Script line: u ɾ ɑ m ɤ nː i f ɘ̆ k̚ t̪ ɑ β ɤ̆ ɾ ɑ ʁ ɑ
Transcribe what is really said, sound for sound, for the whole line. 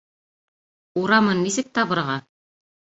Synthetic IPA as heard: u ɾ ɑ m ɤ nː i s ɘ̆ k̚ t̪ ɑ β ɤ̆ ɾ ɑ ʁ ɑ